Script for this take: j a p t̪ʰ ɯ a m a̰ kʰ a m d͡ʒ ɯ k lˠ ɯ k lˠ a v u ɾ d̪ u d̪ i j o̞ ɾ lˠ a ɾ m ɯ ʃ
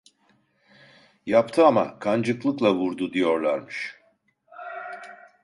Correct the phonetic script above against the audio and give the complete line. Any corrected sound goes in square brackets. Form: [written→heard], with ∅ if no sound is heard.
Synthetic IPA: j a p t̪ʰ ɯ a m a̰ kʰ a [m→n] d͡ʒ ɯ k lˠ ɯ k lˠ a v u ɾ d̪ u d̪ i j o̞ ɾ lˠ a ɾ m ɯ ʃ